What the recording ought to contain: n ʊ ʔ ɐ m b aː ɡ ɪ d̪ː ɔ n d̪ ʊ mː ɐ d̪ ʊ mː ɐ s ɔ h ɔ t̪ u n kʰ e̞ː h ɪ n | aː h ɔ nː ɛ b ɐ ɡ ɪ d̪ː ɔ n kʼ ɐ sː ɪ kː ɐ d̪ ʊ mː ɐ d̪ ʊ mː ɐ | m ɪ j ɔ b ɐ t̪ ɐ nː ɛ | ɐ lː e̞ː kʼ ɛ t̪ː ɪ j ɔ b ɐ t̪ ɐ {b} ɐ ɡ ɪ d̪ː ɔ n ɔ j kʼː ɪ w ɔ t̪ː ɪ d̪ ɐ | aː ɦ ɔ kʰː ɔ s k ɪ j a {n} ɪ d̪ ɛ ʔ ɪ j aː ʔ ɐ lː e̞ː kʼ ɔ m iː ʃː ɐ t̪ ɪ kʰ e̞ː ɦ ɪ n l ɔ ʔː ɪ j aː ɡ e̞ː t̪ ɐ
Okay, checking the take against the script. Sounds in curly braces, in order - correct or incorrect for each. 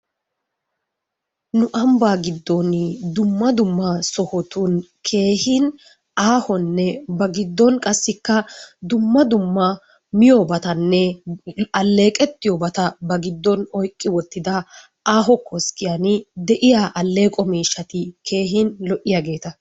correct, correct

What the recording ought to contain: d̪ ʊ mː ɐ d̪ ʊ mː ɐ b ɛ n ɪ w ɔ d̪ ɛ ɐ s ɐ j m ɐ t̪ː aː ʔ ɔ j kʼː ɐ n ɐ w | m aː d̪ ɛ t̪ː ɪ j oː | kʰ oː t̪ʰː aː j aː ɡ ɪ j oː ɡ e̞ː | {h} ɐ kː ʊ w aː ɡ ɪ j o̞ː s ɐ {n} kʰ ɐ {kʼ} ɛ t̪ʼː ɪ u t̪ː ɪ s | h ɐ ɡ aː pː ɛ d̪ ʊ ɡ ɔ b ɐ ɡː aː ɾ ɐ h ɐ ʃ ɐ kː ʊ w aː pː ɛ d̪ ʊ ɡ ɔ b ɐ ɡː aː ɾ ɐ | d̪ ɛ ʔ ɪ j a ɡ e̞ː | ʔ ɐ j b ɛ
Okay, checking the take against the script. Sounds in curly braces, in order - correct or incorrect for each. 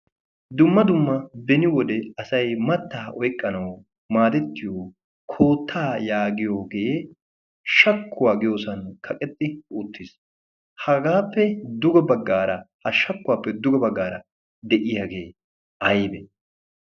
incorrect: ʃ, correct, correct

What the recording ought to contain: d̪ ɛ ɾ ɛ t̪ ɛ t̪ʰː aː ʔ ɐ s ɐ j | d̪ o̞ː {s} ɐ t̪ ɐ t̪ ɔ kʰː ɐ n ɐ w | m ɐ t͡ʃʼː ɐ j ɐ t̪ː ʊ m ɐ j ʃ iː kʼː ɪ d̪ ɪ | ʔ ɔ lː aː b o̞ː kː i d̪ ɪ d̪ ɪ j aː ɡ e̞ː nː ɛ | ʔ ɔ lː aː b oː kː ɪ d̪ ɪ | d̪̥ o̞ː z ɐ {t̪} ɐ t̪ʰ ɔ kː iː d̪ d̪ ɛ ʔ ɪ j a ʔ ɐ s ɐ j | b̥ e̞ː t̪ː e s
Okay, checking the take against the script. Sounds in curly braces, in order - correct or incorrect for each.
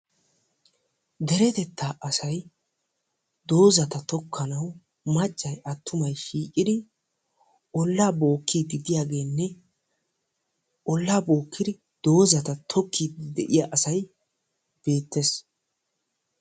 incorrect: z, correct

